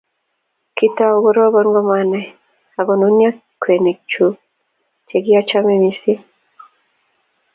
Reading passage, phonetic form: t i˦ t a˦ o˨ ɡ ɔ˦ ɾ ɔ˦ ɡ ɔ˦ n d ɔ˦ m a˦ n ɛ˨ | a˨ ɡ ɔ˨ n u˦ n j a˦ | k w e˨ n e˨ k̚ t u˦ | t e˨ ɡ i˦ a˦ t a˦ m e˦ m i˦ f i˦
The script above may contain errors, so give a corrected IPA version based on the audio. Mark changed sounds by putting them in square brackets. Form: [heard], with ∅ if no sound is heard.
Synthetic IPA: [k] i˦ t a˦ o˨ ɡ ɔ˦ ɾ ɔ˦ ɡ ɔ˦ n [ɡ] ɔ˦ m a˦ n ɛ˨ | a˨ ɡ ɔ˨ n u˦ n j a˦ | k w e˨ n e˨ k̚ [t͡ʃ] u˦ | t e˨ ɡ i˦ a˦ [t͡ʃ] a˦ m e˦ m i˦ [s] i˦